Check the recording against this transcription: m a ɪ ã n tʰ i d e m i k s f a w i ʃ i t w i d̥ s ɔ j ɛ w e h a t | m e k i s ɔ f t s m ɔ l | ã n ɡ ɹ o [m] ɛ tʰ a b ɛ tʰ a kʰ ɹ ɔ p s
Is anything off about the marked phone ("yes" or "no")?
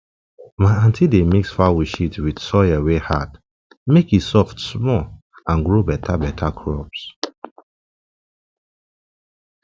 yes